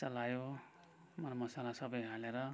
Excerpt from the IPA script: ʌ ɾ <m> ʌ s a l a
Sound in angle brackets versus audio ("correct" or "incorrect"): correct